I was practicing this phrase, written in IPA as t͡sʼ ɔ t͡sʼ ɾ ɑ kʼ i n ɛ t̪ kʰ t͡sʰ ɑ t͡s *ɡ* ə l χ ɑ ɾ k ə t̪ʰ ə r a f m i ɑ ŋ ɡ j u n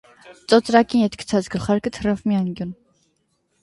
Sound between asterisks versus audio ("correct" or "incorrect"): correct